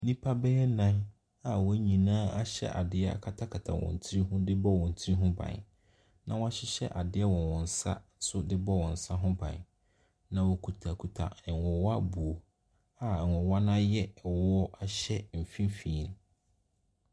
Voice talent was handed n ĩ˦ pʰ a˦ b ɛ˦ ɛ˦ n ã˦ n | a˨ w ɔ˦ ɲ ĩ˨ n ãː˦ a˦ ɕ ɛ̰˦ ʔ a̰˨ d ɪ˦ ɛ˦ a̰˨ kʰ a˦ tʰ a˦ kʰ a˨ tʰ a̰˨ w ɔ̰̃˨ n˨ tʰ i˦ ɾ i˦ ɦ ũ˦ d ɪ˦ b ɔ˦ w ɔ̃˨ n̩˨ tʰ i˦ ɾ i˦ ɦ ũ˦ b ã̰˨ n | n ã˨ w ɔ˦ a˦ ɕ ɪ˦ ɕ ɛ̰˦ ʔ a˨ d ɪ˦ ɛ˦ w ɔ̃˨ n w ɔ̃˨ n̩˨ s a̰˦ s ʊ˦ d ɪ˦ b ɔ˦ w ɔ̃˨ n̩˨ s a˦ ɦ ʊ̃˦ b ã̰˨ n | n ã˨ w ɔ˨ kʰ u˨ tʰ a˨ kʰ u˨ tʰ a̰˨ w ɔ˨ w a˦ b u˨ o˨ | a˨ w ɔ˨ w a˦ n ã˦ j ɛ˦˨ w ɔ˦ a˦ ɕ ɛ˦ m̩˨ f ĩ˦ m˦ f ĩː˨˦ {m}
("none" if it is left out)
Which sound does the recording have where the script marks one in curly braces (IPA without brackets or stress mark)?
n